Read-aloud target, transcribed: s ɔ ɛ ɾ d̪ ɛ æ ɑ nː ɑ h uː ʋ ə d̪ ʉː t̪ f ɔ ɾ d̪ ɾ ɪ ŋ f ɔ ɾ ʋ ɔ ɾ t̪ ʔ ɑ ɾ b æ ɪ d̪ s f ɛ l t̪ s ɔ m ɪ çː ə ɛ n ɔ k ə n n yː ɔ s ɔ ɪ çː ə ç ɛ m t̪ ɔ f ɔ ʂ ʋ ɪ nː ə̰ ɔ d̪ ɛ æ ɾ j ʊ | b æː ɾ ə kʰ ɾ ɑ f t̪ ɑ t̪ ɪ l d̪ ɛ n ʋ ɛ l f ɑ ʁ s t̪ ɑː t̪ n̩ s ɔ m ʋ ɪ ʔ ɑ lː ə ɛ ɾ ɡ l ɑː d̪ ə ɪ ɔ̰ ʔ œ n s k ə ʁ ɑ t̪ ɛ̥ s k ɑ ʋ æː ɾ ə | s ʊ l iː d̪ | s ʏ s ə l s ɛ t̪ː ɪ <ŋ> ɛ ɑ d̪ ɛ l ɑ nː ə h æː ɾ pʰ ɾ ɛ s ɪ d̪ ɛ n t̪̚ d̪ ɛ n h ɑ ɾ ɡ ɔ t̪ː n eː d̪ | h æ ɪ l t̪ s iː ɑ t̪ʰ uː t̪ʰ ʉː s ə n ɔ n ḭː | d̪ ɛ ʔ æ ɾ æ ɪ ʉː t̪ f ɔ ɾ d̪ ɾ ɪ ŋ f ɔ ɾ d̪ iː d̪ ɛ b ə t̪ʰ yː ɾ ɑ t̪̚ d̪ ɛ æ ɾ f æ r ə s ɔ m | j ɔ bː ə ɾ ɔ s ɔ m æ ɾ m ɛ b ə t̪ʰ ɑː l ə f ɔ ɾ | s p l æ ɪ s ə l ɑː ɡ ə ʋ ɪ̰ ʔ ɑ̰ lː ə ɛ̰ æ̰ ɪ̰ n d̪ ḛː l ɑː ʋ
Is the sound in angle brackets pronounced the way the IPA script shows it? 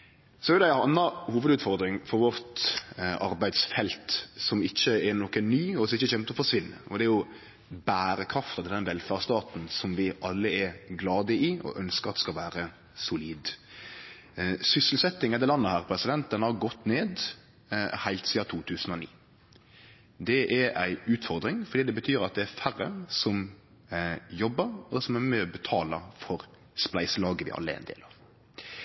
yes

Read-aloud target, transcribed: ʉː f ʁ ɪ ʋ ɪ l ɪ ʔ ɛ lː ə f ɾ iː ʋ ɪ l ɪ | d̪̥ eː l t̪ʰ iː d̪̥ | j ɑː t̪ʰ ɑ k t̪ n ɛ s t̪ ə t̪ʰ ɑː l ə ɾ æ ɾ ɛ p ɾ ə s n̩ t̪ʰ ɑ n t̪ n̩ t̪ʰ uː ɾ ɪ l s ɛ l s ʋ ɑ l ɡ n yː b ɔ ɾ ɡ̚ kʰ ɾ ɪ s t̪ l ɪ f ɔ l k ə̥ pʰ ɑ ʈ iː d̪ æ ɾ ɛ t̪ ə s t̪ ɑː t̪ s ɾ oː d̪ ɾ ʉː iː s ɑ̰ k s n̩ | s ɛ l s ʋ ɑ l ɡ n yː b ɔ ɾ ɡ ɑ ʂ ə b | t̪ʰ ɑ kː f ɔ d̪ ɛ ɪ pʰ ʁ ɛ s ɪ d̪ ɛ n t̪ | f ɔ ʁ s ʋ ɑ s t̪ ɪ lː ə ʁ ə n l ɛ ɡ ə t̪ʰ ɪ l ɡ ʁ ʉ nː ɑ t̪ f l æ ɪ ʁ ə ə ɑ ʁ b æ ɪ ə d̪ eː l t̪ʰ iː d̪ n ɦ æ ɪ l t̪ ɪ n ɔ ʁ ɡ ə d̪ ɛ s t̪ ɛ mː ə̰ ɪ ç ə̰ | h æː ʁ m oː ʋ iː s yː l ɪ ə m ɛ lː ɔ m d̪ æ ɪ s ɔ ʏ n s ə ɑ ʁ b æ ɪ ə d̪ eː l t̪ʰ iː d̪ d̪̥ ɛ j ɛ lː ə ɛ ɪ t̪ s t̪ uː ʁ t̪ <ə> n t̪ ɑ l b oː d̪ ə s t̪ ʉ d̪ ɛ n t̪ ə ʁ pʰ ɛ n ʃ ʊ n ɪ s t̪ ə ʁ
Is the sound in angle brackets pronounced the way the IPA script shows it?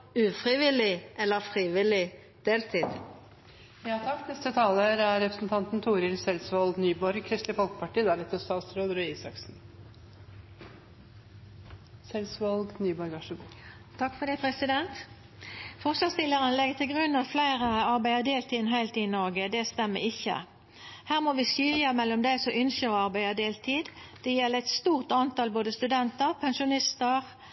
no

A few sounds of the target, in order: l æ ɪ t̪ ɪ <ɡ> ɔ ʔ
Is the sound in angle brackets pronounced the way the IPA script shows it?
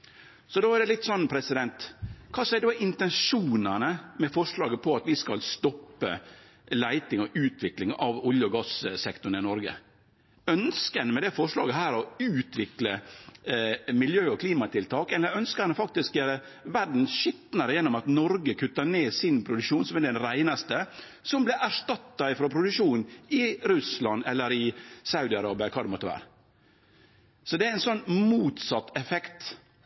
no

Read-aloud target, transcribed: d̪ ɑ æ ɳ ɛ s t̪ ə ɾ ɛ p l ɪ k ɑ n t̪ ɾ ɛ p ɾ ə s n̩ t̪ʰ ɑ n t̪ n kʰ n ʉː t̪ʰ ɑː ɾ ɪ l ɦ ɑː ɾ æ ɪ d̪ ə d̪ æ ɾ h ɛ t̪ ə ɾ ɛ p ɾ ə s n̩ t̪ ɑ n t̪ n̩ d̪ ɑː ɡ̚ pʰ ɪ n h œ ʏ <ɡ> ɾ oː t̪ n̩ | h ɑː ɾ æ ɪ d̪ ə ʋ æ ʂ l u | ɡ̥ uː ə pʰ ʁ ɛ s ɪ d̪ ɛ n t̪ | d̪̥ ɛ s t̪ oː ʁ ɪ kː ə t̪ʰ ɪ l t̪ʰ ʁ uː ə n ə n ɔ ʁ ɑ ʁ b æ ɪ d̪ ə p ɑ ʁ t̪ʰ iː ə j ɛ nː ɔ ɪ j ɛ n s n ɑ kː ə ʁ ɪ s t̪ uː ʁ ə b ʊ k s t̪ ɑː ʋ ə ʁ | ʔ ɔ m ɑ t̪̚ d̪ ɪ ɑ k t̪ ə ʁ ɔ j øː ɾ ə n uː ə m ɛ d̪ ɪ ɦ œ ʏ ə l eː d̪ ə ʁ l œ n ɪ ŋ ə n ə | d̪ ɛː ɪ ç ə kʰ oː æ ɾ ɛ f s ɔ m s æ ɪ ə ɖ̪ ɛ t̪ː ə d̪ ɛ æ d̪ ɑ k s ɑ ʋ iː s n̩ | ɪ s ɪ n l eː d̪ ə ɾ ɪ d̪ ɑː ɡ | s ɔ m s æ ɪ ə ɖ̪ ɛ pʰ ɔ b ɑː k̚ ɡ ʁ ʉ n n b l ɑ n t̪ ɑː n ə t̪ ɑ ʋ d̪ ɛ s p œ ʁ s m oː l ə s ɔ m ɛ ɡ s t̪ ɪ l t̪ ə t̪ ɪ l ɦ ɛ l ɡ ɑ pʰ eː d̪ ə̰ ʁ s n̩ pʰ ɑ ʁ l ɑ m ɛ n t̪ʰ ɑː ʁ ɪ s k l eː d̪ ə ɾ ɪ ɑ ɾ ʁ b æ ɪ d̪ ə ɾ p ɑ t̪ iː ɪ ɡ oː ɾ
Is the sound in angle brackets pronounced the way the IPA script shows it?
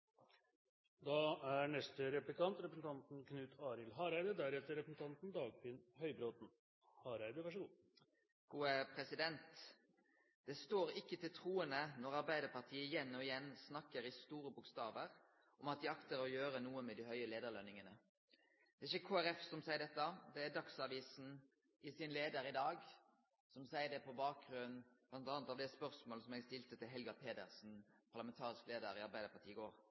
no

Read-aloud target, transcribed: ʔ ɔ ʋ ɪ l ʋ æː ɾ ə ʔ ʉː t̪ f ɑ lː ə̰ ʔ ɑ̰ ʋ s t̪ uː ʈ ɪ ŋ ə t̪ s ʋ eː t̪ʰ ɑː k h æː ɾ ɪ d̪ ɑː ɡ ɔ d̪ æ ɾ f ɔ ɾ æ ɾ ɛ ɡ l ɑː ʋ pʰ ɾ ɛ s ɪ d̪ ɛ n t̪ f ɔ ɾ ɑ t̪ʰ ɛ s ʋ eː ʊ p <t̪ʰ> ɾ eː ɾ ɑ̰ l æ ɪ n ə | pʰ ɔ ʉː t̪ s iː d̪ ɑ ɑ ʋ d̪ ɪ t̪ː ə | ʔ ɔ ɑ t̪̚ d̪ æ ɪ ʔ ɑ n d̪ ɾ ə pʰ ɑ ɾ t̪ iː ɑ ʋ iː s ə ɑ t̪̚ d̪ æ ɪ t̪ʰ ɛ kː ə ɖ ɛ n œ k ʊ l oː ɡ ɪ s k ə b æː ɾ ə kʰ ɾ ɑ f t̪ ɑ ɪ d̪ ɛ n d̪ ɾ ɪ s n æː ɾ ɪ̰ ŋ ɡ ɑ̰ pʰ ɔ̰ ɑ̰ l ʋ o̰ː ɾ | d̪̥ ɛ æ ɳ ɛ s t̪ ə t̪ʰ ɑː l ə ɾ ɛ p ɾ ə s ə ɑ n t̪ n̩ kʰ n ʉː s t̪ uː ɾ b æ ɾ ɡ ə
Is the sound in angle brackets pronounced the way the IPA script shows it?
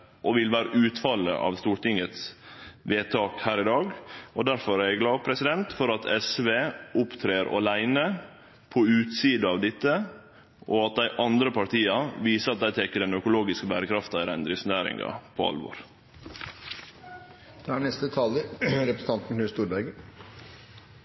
yes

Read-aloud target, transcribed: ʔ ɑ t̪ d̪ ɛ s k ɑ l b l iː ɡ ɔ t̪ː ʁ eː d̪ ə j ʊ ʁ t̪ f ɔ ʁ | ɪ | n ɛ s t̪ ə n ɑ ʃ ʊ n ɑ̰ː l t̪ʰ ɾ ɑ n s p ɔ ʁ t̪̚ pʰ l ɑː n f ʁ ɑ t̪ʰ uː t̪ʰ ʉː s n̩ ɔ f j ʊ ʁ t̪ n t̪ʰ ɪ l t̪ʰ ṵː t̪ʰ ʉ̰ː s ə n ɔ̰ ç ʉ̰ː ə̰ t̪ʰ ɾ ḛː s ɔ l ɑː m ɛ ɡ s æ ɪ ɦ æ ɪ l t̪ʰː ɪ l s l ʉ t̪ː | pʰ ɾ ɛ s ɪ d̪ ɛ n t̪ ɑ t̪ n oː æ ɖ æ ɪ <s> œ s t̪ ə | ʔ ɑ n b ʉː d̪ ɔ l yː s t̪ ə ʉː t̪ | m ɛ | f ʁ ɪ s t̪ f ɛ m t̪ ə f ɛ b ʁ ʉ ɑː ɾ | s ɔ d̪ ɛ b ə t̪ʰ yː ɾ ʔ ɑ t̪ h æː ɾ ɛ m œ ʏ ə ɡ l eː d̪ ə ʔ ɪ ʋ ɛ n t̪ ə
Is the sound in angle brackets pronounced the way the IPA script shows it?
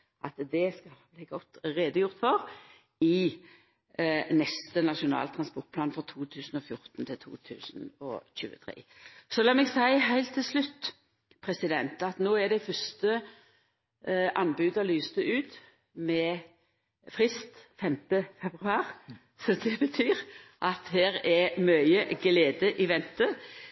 no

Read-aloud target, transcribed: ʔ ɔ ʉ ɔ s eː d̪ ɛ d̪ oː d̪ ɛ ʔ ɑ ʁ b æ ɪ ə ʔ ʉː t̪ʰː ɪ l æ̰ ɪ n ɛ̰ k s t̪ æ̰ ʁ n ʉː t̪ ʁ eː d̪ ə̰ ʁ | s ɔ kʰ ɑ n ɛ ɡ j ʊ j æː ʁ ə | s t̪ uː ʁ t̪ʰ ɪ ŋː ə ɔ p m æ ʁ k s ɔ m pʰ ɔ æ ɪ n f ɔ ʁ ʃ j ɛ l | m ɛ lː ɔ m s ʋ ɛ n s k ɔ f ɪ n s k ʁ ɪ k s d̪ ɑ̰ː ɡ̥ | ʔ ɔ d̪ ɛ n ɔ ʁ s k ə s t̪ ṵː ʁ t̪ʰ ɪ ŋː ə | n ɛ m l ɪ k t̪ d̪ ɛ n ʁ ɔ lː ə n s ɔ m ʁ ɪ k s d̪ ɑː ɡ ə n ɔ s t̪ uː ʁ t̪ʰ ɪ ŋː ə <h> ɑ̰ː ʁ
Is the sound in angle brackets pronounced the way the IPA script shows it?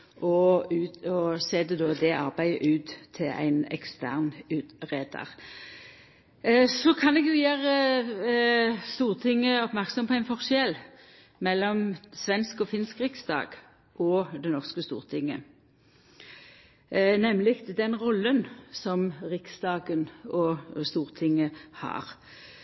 yes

